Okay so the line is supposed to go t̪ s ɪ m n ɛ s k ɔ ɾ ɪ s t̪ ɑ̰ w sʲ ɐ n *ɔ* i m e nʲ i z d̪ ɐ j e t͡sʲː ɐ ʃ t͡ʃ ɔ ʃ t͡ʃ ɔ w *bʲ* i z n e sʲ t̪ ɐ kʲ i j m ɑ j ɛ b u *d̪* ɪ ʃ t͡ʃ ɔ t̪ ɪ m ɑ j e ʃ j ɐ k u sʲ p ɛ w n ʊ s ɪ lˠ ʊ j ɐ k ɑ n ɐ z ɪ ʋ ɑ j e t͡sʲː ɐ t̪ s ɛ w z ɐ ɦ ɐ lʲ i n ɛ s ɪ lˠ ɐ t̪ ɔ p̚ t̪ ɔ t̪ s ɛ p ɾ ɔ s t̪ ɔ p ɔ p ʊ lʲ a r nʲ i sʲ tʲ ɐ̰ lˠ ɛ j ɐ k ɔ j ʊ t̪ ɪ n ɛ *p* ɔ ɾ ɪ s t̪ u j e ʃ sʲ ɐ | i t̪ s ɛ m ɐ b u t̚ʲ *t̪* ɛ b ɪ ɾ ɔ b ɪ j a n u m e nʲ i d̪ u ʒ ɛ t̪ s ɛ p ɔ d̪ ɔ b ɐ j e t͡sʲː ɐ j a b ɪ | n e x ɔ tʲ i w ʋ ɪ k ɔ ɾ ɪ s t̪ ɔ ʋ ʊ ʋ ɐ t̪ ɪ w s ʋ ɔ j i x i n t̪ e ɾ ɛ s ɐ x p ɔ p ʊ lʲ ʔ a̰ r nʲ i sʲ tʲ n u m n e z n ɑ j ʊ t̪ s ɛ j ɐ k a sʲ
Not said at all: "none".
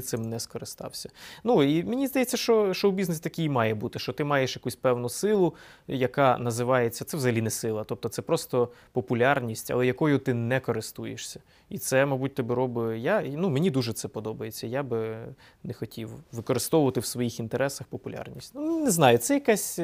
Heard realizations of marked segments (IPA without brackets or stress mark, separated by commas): u, bʲ, t̪, k, t̪